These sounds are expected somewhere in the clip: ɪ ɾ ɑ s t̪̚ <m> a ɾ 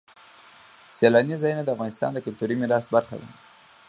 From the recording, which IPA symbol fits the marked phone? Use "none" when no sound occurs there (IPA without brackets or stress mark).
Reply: b